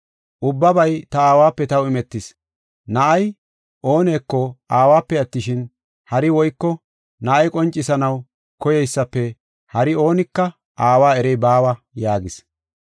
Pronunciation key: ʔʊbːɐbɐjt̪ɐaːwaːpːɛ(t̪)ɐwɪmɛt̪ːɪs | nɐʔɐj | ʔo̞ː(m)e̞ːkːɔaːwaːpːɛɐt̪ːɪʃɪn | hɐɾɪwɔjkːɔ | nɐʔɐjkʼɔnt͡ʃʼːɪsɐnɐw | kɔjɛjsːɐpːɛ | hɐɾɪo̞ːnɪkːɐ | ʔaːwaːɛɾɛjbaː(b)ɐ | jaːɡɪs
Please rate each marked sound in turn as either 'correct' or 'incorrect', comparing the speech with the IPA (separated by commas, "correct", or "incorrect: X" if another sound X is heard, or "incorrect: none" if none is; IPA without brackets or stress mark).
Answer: correct, incorrect: n, incorrect: w